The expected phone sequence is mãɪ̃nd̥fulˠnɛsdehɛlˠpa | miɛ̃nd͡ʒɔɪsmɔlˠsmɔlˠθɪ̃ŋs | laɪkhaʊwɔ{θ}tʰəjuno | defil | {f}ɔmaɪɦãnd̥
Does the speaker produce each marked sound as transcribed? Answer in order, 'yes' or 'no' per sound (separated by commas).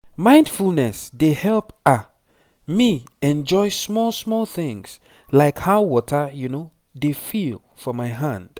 no, yes